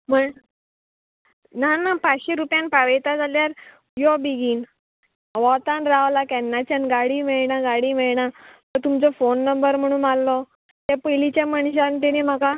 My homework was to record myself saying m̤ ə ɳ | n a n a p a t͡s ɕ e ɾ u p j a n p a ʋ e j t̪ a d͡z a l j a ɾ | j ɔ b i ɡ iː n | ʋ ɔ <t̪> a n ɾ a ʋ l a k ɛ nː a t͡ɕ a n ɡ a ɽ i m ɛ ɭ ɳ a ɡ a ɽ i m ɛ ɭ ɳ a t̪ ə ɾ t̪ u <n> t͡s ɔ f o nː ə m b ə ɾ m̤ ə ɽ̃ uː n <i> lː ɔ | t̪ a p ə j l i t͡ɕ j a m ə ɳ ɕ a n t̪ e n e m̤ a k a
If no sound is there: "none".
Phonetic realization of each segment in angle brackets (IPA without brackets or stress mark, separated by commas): t̪, m, a